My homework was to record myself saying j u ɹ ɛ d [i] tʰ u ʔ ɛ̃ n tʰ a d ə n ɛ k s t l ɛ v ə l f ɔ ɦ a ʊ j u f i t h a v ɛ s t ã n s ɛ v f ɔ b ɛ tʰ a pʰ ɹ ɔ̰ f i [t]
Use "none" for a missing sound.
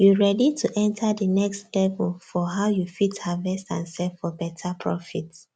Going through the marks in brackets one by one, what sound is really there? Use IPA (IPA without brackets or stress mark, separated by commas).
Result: i, t